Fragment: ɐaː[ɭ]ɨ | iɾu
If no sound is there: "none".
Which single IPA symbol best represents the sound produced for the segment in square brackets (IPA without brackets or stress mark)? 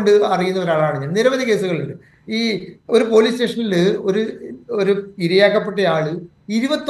ɭ